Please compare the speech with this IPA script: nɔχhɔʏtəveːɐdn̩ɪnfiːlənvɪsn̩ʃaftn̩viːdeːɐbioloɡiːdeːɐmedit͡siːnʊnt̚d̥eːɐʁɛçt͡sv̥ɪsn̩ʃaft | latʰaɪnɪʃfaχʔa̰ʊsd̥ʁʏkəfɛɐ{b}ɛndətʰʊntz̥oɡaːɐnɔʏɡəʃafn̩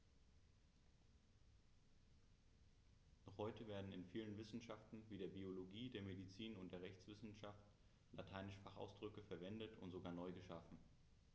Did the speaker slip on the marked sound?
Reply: yes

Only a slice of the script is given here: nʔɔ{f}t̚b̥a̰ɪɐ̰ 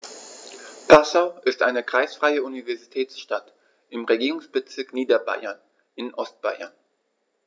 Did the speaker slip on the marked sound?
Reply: yes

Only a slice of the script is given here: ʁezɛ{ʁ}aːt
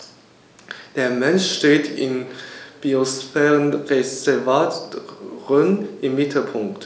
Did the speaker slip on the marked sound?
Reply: yes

